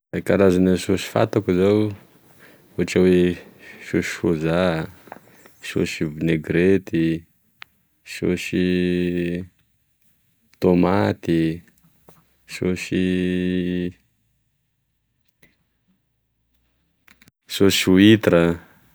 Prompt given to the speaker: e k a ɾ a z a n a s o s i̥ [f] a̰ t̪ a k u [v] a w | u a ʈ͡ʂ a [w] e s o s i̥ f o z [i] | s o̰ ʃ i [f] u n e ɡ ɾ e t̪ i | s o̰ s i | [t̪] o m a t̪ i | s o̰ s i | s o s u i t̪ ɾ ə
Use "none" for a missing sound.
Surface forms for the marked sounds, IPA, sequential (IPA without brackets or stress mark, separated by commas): f, z, w, a, v, t̪